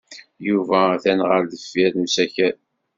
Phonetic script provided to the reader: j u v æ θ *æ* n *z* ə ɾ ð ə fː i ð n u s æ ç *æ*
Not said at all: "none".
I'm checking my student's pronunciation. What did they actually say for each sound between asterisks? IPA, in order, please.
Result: æ, ʁ, æ

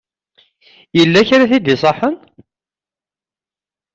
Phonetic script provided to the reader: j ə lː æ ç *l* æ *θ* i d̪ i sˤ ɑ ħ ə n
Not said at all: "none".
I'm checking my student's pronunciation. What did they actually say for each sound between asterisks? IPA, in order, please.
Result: ɾ, θ

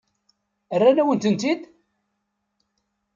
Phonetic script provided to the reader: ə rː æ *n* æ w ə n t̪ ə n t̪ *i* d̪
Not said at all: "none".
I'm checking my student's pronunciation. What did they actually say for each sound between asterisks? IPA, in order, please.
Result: n, i

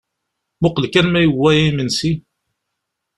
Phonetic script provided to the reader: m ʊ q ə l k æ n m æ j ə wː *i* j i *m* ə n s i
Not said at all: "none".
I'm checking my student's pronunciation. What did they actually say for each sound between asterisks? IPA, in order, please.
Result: æ, m

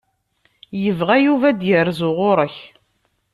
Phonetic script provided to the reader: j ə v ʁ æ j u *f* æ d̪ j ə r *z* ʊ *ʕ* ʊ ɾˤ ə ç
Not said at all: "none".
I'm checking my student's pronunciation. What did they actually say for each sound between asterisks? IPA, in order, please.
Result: v, z, ʁ

